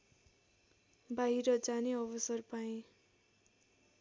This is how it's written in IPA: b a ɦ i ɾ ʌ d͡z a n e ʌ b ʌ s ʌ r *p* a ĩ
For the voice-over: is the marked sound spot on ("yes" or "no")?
yes